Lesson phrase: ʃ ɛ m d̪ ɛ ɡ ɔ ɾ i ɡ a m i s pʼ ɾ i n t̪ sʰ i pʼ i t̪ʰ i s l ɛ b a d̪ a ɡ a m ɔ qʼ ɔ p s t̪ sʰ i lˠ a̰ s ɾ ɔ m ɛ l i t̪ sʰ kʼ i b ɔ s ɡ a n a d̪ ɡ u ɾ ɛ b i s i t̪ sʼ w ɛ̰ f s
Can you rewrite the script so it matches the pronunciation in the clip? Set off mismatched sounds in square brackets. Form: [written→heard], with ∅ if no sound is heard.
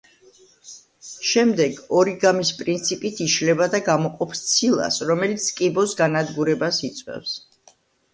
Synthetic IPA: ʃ ɛ m d̪ ɛ ɡ ɔ ɾ i ɡ a m i s pʼ ɾ i n t̪ sʰ i pʼ i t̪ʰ i [s→ʃ] l ɛ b a d̪ a ɡ a m ɔ qʼ ɔ p s t̪ sʰ i lˠ a̰ s ɾ ɔ m ɛ l i t̪ sʰ kʼ i b ɔ s ɡ a n a d̪ ɡ u ɾ ɛ b [i→a] s i t̪ sʼ w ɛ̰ f s